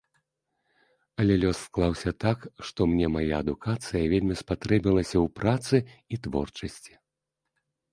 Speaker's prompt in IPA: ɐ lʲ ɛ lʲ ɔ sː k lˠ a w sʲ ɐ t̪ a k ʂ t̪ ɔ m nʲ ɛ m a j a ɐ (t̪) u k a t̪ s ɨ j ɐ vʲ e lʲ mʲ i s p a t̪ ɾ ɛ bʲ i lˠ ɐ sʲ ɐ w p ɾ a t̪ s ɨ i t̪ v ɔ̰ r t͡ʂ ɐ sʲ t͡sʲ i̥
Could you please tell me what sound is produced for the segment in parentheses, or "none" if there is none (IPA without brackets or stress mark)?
d̪